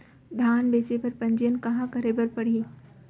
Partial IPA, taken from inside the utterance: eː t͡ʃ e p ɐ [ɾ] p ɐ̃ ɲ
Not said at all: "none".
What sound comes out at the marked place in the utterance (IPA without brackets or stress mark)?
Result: ɾ